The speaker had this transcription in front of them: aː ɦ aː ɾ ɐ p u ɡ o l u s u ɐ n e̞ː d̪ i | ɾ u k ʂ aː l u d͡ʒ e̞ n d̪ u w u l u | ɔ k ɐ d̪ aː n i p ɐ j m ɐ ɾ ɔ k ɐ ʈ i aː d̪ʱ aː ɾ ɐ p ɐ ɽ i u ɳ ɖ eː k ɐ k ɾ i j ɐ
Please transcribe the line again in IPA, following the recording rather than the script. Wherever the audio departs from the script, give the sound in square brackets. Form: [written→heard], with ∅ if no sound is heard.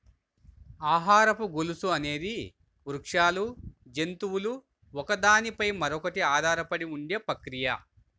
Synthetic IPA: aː ɦ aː ɾ ɐ p u ɡ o l u s u ɐ n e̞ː d̪ i | ɾ u k ʂ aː l u d͡ʒ e̞ n [d̪→t̪] u w u l u | ɔ k ɐ d̪ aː n i p ɐ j m ɐ ɾ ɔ k ɐ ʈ i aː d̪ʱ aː ɾ ɐ p ɐ ɽ i u ɳ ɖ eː [k→p] ɐ k ɾ i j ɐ

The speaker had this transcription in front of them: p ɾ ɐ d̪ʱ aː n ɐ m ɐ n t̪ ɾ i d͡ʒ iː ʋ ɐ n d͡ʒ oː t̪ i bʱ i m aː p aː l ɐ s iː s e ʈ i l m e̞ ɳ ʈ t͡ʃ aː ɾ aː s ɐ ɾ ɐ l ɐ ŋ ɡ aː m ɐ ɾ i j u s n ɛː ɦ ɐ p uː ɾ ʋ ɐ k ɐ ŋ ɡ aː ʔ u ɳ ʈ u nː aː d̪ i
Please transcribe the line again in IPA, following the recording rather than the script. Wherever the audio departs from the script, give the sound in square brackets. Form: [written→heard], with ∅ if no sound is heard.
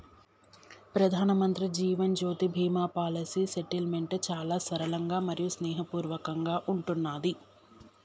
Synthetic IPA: p ɾ ɐ d̪ʱ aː n ɐ m ɐ n t̪ ɾ i d͡ʒ iː ʋ ɐ n d͡ʒ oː t̪ i bʱ [i→iː] m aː p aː l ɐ s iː s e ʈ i l m e̞ ɳ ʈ t͡ʃ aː [ɾ→l] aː s ɐ ɾ ɐ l ɐ ŋ ɡ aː m ɐ ɾ i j u s n ɛː ɦ ɐ p uː ɾ ʋ ɐ k ɐ ŋ ɡ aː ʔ u ɳ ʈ u nː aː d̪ i

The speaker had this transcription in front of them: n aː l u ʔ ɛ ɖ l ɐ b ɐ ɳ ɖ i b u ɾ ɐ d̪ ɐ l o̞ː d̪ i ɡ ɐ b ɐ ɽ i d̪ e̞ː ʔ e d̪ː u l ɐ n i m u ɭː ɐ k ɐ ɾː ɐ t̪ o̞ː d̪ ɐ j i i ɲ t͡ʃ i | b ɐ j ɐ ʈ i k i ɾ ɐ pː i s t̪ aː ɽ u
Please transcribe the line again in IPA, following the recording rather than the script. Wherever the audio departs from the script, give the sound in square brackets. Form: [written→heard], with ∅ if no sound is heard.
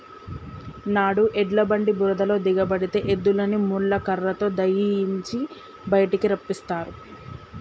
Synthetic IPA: n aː [l→ɽ] u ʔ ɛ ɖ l ɐ b ɐ ɳ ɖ i b u ɾ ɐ d̪ ɐ l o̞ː d̪ i ɡ ɐ b ɐ ɽ i [d̪→t̪] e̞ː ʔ e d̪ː u l ɐ n i m u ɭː ɐ k ɐ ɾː ɐ t̪ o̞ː d̪ ɐ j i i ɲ t͡ʃ i | b ɐ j ɐ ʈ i k i ɾ ɐ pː i s t̪ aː [ɽ→ɾ] u

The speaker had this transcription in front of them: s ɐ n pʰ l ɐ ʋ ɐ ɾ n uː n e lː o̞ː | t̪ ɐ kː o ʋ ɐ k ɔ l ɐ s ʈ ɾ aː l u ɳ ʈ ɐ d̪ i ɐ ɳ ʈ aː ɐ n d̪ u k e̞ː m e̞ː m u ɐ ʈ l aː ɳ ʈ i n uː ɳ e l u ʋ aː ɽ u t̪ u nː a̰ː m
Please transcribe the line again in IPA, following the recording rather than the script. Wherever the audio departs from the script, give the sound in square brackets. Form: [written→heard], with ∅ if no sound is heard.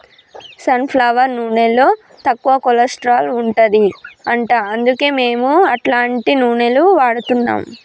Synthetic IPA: s ɐ n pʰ l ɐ ʋ ɐ ɾ n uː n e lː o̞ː | t̪ ɐ kː [o→u] ʋ ɐ k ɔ l ɐ s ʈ ɾ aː l u ɳ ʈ ɐ d̪ i ɐ ɳ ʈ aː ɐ n d̪ u k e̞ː m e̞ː m u ɐ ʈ l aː ɳ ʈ i n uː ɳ e l u ʋ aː ɽ u t̪ u nː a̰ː m

